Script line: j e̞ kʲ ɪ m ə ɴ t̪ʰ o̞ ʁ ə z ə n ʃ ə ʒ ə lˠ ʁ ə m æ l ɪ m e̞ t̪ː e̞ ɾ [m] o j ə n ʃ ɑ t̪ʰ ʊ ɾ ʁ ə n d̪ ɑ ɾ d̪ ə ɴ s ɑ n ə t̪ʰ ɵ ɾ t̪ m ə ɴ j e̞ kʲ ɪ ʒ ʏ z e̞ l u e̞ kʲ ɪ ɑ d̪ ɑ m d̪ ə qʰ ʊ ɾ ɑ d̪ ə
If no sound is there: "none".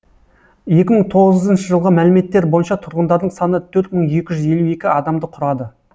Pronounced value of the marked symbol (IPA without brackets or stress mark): b